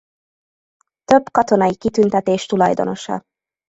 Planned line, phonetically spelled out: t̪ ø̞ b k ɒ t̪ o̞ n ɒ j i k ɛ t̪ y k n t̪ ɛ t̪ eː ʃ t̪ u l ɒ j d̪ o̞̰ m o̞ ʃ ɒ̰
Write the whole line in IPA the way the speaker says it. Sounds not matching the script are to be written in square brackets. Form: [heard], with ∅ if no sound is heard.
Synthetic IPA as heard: t̪ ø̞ b k ɒ t̪ o̞ n ɒ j i k [i] t̪ y [∅] n t̪ ɛ t̪ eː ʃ t̪ u l ɒ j d̪ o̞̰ [n] o̞ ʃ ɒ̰